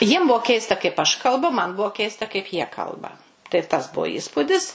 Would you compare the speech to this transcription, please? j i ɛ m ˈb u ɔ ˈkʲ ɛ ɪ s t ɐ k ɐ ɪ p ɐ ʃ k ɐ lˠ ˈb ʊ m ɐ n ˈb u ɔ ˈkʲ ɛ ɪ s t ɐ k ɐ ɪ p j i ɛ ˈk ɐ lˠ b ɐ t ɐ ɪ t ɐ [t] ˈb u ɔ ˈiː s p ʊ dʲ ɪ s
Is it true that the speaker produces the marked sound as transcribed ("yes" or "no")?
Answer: no